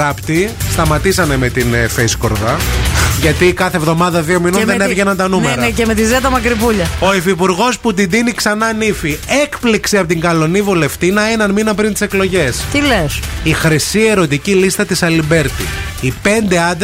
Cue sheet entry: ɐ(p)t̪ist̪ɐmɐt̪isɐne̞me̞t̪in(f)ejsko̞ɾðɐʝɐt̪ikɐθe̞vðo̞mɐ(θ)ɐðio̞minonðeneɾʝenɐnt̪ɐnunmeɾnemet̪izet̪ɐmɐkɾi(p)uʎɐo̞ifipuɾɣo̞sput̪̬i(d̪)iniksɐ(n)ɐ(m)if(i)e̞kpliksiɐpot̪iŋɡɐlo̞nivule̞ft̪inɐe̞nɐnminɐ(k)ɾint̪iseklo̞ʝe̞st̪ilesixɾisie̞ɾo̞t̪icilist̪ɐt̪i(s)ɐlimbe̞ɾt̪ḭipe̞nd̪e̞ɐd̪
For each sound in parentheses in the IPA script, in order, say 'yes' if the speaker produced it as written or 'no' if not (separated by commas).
yes, yes, no, yes, yes, yes, no, yes, no, yes